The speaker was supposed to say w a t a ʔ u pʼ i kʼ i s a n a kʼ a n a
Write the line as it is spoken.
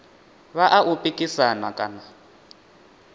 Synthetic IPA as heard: β a ʔ a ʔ u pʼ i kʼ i s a n a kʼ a n a